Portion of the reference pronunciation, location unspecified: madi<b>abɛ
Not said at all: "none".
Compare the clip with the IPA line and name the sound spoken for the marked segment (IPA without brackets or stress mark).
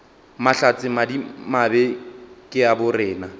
m